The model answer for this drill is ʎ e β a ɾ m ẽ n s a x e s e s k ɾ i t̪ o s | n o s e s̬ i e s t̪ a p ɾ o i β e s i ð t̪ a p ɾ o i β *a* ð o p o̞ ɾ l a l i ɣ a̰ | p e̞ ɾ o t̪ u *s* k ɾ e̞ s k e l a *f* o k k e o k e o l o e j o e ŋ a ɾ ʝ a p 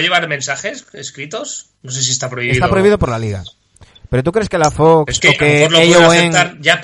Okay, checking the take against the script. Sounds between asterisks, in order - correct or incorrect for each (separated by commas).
incorrect, incorrect, correct